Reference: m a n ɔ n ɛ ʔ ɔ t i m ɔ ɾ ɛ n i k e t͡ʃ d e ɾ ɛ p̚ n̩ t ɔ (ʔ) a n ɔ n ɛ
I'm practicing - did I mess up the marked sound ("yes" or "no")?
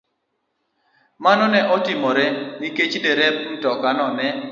yes